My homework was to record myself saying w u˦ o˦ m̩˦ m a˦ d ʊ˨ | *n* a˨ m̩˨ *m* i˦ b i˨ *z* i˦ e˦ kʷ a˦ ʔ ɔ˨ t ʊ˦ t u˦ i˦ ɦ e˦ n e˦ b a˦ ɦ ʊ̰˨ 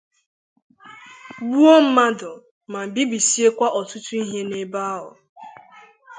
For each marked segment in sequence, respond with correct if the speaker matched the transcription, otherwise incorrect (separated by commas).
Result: incorrect, incorrect, incorrect